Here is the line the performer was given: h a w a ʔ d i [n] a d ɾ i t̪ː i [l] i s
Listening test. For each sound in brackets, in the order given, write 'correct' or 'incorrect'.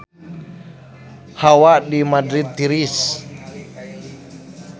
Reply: incorrect: m, incorrect: ɾ

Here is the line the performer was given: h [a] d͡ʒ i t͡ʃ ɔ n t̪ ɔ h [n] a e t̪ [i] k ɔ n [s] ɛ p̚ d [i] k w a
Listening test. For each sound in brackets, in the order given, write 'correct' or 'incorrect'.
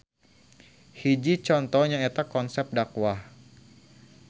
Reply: incorrect: i, incorrect: ɲ, incorrect: a, correct, incorrect: a

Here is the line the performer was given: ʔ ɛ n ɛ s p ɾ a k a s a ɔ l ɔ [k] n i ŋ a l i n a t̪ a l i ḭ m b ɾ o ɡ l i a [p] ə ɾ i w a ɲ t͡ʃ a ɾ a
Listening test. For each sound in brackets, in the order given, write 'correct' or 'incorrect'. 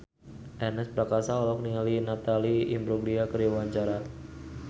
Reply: correct, incorrect: k

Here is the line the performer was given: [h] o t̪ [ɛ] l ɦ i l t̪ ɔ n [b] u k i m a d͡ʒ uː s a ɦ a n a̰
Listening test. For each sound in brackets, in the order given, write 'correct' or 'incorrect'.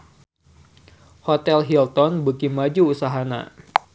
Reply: correct, correct, correct

